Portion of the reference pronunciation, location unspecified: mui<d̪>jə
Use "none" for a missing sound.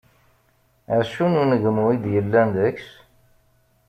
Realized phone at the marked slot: d̪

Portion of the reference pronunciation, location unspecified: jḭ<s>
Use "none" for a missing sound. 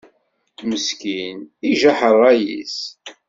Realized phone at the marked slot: s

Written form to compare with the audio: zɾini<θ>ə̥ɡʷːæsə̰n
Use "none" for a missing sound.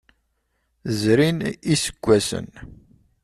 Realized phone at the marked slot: s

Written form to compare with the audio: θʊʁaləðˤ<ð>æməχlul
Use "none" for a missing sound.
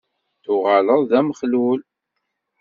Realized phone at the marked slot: ð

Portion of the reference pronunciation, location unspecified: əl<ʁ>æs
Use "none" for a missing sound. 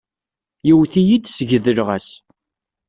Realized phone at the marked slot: ʁ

